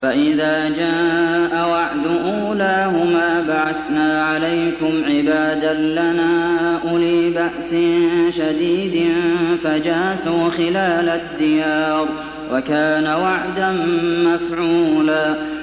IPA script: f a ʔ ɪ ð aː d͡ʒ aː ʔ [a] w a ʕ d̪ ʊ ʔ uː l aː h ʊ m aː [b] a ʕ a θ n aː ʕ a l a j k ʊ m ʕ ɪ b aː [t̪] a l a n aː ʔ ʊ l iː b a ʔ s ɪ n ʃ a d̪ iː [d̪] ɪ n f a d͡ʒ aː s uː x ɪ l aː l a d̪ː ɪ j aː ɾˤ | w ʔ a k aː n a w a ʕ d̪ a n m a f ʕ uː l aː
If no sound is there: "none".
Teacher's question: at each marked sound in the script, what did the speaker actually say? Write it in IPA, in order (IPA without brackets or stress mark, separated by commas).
a, b, d̪, d̪